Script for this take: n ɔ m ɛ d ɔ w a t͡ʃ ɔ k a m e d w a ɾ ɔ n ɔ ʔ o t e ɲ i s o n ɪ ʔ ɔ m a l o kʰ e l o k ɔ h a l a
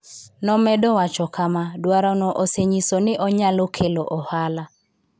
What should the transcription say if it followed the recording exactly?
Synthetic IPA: n ɔ m ɛ d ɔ w a t͡ʃ ɔ k a m a d w a ɾ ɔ n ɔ ʔ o s e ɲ i s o n ɪ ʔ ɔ ɲ a l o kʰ e l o ʔ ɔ h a l a